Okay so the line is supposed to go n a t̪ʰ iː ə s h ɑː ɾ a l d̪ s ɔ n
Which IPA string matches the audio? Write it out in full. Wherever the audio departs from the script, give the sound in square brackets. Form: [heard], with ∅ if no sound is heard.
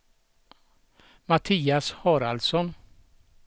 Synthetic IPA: [m] a t̪ʰ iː [a] s h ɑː ɾ a l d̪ s ɔ n